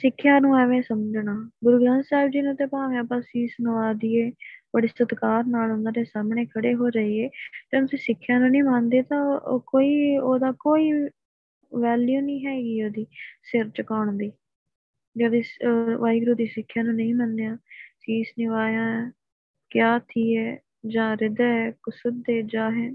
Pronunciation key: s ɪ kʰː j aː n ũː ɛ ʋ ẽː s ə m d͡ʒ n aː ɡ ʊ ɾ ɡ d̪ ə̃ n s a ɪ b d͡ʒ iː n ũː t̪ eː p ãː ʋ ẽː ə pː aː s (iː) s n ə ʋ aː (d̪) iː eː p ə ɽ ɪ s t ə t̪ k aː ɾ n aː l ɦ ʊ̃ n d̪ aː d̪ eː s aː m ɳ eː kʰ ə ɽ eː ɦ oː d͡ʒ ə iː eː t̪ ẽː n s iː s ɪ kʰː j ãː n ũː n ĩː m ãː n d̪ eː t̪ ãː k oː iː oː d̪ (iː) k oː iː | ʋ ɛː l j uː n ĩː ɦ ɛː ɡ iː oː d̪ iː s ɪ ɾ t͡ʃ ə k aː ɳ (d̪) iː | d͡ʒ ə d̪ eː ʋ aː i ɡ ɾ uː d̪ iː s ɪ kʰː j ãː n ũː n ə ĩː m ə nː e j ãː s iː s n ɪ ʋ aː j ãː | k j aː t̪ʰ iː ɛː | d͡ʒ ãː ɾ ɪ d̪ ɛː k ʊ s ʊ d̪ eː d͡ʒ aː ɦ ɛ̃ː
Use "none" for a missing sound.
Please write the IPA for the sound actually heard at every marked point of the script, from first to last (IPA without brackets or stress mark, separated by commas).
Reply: iː, d̪, aː, d̪